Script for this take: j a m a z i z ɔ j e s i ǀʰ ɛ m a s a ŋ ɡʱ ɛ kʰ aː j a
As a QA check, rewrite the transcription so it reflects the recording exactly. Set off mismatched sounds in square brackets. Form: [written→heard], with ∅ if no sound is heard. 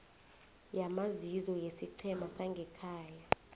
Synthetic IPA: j a m a z i z ɔ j e s i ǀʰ ɛ m a s a ŋ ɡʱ ɛ kʰ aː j a